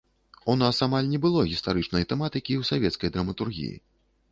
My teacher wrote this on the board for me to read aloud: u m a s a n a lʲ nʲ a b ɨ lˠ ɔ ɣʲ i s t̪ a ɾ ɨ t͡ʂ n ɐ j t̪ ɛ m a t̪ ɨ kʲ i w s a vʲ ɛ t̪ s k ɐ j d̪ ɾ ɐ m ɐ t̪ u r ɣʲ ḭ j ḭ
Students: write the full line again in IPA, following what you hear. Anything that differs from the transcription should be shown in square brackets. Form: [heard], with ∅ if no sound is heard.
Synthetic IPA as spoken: u [n] a s a [m] a lʲ nʲ [ɛ] b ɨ lˠ ɔ ɣʲ i s t̪ a ɾ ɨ t͡ʂ n ɐ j t̪ ɛ m a t̪ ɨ kʲ i w s a vʲ ɛ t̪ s k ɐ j d̪ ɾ ɐ m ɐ t̪ u r ɣʲ ḭ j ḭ